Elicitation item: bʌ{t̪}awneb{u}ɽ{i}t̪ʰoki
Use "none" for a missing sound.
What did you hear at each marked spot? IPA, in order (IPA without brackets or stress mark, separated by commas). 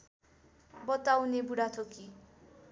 t̪, u, a